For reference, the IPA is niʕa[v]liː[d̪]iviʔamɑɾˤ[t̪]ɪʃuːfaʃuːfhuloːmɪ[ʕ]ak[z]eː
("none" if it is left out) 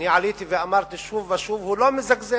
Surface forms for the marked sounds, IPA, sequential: none, t̪, t̪, z, z

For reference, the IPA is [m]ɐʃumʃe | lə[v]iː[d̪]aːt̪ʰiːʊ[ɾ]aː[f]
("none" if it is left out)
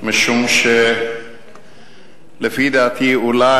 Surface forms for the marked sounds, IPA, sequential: m, f, d̪, l, none

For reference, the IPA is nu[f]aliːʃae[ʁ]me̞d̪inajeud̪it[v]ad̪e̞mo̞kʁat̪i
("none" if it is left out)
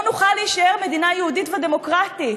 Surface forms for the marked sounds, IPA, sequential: χ, ʁ, v

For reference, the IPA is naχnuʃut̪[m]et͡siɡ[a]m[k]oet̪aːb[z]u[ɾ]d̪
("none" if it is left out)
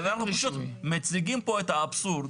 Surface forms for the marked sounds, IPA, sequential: m, i, p, s, ɾ

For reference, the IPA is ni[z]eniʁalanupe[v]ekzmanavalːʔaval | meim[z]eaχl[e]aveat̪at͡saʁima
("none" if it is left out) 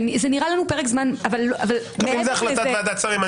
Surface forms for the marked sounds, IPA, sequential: z, ʁ, z, a

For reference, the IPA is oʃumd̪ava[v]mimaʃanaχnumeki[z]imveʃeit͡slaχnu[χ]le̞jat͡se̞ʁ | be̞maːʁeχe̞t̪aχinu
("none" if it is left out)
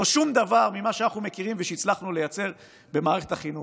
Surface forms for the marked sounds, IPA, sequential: ʁ, ʁ, none

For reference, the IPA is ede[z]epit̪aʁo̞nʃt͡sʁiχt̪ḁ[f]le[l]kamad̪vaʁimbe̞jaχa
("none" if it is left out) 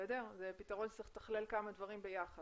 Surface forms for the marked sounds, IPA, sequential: z, χ, l

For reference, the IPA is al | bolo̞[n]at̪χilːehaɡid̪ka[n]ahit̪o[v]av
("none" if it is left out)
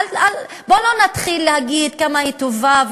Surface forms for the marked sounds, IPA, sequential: n, m, v

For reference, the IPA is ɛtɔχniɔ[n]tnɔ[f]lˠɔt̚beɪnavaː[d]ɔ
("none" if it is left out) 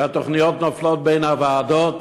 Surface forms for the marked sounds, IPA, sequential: none, f, d

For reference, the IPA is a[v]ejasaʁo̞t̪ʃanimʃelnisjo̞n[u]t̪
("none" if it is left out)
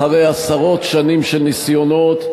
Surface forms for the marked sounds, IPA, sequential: ʁ, o

